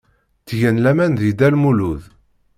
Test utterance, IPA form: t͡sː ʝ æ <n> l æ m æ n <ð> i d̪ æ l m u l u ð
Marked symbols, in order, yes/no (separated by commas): yes, yes